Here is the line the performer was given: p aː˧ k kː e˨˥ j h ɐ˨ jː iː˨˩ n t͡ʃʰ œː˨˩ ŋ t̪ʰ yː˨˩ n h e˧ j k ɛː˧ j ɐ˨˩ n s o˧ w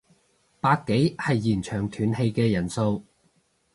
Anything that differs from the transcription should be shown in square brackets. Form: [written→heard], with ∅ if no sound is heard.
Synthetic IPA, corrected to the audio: p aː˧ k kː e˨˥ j h ɐ˨ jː iː˨˩ n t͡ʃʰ œː˨˩ ŋ t̪ʰ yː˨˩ n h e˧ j k ɛː˧ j ɐ˨˩ n s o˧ w